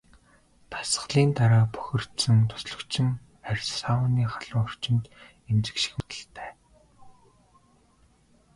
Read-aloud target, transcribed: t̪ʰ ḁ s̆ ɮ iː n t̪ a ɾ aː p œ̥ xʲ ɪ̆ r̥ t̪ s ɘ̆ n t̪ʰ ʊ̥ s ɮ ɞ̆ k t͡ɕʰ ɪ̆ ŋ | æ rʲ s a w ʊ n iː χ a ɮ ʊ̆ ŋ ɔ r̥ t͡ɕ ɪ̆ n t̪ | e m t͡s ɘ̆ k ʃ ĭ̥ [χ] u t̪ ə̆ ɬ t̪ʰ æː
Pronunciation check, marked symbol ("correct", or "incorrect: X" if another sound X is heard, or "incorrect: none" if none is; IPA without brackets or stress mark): incorrect: x